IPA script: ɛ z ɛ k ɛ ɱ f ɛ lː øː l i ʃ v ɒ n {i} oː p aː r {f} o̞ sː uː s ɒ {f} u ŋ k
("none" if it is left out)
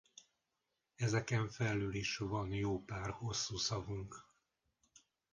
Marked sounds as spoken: j, h, v

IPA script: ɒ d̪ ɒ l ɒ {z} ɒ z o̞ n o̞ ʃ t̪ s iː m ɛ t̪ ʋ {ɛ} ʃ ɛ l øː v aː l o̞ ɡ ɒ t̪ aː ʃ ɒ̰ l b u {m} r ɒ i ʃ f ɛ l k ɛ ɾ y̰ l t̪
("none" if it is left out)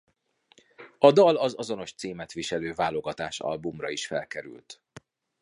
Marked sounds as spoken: z, i, m

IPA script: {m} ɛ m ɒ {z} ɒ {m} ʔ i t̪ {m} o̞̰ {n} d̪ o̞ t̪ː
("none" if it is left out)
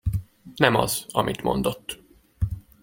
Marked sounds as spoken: n, z, m, m, n

